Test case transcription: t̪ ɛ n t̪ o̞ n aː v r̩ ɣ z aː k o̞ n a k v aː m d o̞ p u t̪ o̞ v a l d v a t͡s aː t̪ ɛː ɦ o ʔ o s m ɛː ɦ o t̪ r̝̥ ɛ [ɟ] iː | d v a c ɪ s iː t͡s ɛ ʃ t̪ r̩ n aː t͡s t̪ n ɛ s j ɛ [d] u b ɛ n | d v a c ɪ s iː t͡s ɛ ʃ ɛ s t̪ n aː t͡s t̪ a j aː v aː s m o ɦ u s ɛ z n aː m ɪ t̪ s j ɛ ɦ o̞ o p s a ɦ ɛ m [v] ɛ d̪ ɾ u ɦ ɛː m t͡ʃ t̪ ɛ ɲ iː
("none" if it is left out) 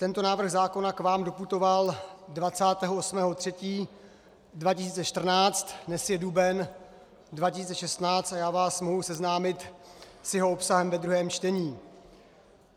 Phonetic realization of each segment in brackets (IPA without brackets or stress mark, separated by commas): c, d, v